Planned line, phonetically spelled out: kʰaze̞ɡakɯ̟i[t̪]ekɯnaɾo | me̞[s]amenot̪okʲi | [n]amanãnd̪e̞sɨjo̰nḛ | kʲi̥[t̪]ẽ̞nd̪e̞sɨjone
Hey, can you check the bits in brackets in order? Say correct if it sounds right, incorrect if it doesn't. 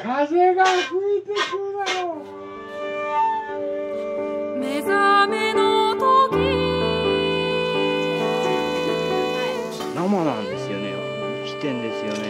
correct, incorrect: z, correct, correct

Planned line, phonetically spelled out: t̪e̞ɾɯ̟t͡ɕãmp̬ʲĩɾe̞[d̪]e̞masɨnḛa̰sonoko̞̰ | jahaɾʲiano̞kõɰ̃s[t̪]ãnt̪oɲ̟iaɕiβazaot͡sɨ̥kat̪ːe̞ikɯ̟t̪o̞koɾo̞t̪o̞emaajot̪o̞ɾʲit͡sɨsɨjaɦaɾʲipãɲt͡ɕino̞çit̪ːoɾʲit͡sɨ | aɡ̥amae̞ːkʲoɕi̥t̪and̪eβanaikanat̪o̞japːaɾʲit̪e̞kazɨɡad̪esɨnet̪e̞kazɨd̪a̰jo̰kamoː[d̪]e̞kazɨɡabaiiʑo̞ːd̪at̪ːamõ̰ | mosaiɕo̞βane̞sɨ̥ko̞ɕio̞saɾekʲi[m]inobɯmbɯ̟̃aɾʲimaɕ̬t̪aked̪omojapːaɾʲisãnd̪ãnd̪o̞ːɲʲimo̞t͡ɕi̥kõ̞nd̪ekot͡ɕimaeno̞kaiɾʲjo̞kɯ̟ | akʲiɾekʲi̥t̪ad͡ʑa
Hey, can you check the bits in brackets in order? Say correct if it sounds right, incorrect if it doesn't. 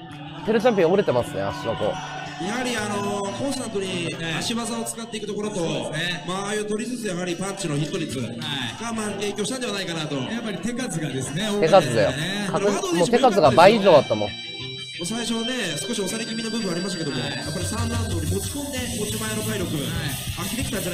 incorrect: t̪, correct, incorrect: t̪, correct

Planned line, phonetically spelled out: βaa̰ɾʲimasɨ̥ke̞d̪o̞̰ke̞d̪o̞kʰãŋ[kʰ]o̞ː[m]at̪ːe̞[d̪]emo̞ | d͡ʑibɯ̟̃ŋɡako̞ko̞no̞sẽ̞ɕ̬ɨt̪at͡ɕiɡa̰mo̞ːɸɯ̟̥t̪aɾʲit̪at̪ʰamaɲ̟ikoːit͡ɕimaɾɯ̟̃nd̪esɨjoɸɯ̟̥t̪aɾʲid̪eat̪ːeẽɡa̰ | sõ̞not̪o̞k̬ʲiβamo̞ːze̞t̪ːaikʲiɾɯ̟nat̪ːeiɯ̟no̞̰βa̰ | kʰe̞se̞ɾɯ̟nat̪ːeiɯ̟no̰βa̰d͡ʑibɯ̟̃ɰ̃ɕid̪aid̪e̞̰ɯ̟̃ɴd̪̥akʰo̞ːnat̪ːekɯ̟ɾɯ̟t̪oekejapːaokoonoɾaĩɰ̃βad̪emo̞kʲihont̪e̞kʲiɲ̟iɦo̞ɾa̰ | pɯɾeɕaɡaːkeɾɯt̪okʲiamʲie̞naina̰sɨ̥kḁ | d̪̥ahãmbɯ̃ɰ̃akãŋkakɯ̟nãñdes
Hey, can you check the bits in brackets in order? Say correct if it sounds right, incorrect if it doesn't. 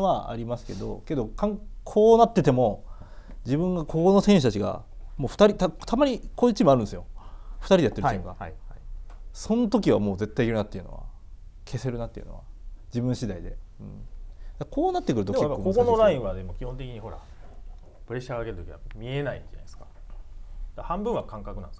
correct, incorrect: n, incorrect: t̪

